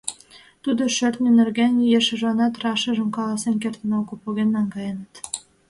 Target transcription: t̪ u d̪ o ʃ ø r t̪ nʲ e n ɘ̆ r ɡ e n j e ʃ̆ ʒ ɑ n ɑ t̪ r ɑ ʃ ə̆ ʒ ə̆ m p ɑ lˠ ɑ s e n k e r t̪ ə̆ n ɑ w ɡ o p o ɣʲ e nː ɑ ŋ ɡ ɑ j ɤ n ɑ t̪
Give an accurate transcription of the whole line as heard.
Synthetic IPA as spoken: t̪ u d̪ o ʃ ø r t̪ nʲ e n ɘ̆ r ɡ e n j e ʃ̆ ʒ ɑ n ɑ t̪ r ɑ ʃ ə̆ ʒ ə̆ m k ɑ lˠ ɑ s e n k e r t̪ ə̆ n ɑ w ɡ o p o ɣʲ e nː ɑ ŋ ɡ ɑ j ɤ n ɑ t̪